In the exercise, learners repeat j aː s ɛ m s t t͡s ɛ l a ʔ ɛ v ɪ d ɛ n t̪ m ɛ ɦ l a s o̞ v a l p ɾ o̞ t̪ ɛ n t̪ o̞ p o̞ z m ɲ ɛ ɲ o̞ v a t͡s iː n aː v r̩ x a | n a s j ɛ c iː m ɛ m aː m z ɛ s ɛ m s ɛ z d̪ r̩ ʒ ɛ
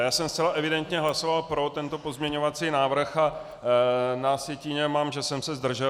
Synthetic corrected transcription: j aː s ɛ m s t t͡s ɛ l a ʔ ɛ v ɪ d ɛ n t̪ ɲ ɛ ɦ l a s o̞ v a l p ɾ o̞ t̪ ɛ n t̪ o̞ p o̞ z m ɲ ɛ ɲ o̞ v a t͡s iː n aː v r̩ x a | n a s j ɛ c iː ɲ ɛ m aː m ʒ ɛ s ɛ m s ɛ z d̪ r̩ ʒ ɛ